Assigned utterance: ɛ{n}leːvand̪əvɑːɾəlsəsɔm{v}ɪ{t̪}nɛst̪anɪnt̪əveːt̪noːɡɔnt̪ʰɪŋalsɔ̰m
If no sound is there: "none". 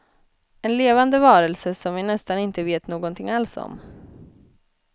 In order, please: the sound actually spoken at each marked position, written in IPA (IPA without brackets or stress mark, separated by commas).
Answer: n, v, none